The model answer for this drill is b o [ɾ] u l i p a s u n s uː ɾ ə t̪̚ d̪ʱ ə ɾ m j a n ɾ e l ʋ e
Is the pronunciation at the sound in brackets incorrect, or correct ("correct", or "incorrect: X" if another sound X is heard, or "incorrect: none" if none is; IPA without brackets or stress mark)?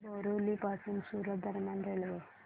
correct